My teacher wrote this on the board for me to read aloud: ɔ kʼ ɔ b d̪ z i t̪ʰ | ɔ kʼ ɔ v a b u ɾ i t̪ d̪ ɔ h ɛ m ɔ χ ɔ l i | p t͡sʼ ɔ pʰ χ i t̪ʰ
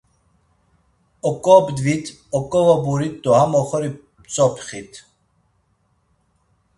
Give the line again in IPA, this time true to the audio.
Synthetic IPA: ɔ kʼ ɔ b d̪ v i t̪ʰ | ɔ kʼ ɔ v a b u ɾ i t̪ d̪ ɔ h a m ɔ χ ɔ ɾ i | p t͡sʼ ɔ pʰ χ i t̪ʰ